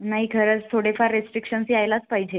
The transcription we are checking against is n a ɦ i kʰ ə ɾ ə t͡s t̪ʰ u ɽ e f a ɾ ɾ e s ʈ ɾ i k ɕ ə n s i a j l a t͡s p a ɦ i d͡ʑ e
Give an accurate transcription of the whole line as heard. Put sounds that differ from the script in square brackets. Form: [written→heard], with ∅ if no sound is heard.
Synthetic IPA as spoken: n a ɦ i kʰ ə ɾ ə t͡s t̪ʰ [u→o] ɽ e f a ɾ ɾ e s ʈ ɾ i k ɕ ə n s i a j l a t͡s p a ɦ i d͡ʑ e